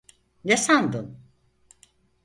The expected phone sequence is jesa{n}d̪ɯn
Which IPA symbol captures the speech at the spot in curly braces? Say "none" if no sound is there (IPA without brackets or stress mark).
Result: n